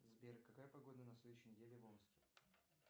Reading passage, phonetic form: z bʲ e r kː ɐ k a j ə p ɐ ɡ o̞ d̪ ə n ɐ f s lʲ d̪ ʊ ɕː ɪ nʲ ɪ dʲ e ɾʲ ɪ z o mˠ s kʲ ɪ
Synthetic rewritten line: z bʲ e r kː ɐ k a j ə p ɐ ɡ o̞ d̪ ə n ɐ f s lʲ d̪ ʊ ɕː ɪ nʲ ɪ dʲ e lʲ ɪ v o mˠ s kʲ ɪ